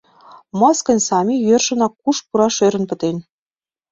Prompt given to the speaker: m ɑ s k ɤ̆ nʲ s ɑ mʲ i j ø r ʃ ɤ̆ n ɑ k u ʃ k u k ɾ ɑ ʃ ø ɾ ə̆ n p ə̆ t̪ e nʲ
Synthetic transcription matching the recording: m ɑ s k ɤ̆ nʲ s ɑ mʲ i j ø r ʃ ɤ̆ n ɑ k u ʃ p u ɾ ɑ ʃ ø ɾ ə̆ n p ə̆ t̪ e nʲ

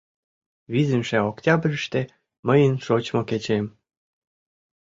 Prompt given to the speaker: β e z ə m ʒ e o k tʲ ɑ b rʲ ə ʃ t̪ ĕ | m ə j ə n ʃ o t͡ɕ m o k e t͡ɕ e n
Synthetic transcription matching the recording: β i z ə m ʃ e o k tʲ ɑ b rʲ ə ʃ t̪ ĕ | m ə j ə n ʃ o t͡ɕ m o k e t͡ɕ e m

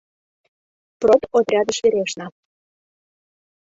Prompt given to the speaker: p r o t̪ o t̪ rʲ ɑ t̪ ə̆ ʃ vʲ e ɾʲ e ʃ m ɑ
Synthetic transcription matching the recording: p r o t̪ o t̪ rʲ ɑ d̪ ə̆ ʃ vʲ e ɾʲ e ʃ n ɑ

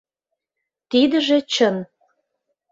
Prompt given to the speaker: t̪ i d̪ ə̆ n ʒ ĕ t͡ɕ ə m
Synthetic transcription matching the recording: t̪ i d̪ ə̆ ʒ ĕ t͡ɕ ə n

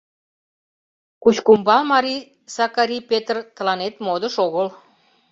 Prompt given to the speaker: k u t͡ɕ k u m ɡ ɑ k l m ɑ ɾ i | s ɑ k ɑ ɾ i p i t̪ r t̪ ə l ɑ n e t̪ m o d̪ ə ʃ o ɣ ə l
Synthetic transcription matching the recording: k u t͡ɕ k u m b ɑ l m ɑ ɾ i | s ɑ k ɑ ɾ i p e t̪ r t̪ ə l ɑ n e t̪ m o d̪ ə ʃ o ɣ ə l

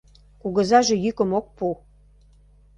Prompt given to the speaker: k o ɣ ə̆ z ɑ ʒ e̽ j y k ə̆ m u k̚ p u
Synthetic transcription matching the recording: k u ɣ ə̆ z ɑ ʒ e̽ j y k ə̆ m o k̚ p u

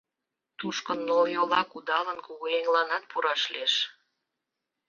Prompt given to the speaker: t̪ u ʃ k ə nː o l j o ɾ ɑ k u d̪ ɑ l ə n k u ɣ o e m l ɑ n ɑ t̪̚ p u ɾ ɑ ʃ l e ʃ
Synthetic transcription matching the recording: t̪ u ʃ k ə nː o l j o l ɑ k u d̪ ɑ l ə n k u ɣ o e ŋ l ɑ n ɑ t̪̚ p u ɾ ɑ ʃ l e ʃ

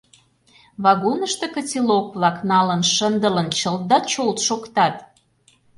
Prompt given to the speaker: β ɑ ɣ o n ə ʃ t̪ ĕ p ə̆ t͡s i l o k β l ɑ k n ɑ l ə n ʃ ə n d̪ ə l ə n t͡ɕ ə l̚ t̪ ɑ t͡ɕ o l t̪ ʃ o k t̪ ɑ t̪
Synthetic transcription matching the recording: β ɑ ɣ o n ə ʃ t̪ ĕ k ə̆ t͡s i l o k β l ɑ k n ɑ l ə n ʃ ə n d̪ ə l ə n t͡ɕ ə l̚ d̪ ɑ t͡ɕ o l t̪ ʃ o k t̪ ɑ t̪

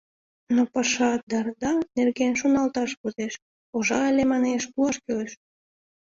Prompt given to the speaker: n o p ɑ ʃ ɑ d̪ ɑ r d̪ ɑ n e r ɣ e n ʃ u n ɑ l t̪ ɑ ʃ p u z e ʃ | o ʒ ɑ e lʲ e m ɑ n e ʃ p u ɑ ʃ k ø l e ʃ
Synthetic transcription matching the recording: n o p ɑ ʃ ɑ d̪ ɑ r d̪ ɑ n e r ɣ e n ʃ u n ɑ l t̪ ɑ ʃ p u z e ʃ | o ʒ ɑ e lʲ e m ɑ n e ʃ p u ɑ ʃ k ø l e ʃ

